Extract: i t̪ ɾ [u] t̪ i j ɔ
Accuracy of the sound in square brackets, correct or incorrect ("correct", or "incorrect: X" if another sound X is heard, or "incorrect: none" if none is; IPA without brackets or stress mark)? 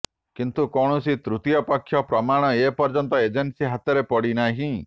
correct